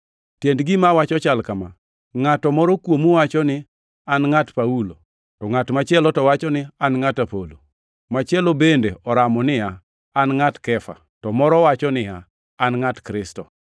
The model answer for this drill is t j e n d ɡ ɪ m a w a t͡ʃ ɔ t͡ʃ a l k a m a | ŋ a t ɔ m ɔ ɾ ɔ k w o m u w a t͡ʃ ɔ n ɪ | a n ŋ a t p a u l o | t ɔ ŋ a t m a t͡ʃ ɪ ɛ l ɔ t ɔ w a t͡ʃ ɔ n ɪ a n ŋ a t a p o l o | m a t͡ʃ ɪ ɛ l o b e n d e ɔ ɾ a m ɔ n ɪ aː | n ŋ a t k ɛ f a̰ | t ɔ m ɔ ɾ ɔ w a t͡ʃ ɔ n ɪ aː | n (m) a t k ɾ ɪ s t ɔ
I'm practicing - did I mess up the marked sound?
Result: yes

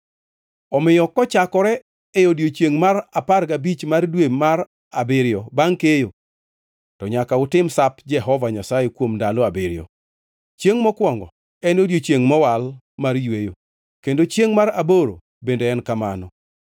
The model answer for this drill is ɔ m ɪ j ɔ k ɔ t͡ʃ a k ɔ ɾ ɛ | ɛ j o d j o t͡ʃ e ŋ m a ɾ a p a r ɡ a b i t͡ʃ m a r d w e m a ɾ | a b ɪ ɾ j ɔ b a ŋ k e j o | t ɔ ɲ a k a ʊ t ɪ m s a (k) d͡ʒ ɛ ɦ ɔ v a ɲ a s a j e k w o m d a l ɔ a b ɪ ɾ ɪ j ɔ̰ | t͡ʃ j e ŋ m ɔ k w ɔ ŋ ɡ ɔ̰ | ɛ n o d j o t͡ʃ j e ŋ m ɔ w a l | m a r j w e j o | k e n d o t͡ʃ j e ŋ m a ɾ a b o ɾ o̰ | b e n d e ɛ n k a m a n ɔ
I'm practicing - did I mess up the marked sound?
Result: yes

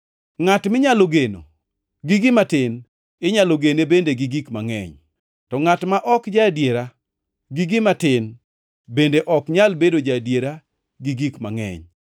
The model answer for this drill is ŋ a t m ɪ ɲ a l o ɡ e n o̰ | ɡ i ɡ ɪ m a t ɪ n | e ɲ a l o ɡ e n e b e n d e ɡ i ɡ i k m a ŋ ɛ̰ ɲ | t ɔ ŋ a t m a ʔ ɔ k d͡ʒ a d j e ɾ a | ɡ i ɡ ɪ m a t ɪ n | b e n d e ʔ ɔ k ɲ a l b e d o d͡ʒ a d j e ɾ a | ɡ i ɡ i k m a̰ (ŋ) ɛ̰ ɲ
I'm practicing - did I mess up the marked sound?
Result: no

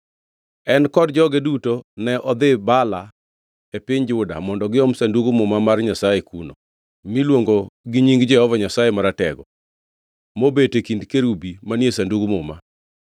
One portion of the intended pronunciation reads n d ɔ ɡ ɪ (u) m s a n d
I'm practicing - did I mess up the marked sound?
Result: yes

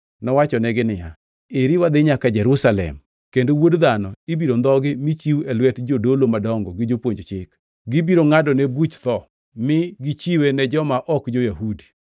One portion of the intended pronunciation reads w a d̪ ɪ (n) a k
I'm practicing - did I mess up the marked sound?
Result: yes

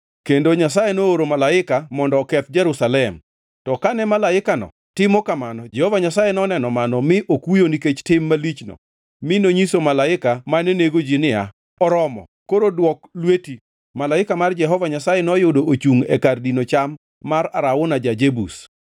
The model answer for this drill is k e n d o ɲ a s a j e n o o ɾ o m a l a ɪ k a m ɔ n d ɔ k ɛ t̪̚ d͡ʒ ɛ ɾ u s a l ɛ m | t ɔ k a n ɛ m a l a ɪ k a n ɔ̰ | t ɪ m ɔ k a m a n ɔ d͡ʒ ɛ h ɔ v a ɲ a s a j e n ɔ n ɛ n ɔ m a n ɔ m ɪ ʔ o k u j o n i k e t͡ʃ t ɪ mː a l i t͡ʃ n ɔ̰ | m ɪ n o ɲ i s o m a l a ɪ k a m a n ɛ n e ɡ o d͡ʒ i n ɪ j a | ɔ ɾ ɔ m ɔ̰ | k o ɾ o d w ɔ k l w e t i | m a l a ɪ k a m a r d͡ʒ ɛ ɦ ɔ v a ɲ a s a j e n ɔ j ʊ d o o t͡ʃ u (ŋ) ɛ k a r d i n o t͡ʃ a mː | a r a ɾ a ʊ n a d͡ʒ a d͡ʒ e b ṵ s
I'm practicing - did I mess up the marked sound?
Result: no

